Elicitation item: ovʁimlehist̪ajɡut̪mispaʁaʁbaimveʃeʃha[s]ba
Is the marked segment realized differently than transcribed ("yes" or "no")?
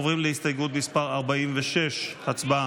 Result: yes